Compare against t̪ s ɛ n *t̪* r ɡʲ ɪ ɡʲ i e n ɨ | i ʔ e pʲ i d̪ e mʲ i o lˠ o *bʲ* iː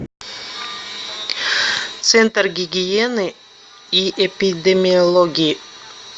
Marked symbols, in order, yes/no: yes, no

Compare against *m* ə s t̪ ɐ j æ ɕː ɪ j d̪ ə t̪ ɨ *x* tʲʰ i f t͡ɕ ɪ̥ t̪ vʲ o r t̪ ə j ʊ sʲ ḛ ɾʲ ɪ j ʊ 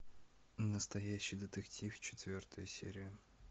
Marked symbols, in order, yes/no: no, no

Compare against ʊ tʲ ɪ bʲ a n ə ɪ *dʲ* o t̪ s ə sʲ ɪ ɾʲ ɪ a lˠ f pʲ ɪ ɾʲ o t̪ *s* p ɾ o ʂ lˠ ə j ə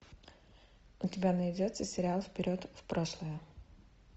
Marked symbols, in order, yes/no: yes, no

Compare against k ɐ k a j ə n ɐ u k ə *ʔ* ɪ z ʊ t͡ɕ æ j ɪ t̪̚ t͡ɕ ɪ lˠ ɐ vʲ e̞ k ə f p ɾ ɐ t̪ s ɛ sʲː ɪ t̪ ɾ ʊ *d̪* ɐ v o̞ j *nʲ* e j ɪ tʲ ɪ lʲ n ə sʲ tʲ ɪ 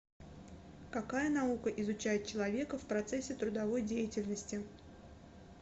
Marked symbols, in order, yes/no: yes, yes, no

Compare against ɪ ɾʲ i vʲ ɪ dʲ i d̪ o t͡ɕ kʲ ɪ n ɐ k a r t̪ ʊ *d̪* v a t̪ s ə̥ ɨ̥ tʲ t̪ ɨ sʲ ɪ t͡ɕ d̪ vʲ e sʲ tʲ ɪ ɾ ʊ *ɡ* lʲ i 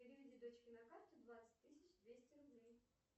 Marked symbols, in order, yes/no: yes, no

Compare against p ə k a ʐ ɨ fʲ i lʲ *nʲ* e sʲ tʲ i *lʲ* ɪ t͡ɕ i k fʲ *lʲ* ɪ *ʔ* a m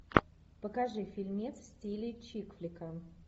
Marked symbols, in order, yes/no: no, yes, yes, no

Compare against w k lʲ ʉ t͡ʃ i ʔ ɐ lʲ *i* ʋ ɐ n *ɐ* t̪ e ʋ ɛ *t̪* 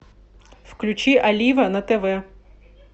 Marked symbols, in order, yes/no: yes, yes, no

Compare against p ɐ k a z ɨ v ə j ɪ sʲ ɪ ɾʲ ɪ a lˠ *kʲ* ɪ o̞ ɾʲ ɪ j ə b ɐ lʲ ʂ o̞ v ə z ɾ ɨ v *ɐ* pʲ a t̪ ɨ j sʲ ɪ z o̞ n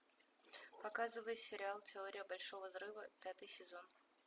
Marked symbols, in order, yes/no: no, no

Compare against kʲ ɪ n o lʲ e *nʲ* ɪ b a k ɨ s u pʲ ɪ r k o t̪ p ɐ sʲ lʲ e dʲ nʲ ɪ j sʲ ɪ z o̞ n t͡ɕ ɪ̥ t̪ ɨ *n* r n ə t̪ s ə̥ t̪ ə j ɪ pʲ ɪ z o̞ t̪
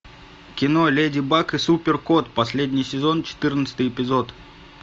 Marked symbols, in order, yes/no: no, no

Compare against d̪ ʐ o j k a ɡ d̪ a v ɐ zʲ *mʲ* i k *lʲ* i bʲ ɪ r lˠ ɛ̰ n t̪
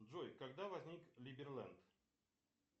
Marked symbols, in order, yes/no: no, yes

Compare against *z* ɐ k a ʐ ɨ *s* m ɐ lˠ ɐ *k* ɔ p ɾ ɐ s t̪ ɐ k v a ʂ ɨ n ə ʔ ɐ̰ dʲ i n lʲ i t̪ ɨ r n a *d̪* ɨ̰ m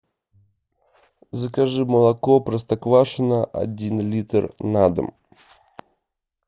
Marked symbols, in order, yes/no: yes, no, yes, yes

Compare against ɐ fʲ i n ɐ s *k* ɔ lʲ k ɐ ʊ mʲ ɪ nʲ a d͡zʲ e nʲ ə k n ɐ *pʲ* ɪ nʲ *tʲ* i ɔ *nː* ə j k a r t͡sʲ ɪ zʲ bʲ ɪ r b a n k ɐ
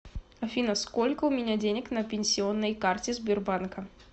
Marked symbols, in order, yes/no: yes, yes, no, yes

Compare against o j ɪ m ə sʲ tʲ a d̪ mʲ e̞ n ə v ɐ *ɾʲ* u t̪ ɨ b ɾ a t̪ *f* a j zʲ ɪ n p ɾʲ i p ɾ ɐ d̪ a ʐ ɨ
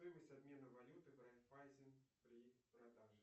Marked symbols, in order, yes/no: no, yes

